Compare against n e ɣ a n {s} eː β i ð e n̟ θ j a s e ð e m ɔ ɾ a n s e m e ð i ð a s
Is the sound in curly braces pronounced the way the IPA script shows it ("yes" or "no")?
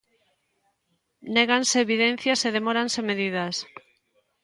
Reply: yes